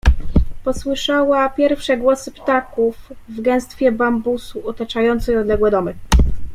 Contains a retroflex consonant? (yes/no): yes